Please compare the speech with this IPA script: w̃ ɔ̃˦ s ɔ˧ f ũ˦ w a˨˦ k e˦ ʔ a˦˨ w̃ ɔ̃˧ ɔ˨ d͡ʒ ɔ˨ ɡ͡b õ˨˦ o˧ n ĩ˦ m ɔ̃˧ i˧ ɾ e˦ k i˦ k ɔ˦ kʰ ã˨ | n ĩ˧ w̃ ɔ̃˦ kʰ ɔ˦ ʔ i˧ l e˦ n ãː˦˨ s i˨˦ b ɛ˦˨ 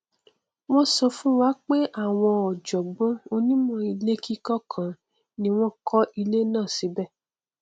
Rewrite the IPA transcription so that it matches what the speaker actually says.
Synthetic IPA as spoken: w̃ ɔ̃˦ s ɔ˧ f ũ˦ w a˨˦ k͡p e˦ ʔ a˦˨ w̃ ɔ̃˧ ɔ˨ d͡ʒ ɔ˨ ɡ͡b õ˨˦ o˧ n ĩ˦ m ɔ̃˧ i˧ l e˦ k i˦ k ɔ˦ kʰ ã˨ | n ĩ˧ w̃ ɔ̃˦ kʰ ɔ˦ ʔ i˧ l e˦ n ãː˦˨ s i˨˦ b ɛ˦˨